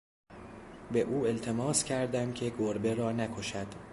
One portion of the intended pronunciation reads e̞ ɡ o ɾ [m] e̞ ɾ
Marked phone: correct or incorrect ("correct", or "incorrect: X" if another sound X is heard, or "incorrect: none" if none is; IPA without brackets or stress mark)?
incorrect: b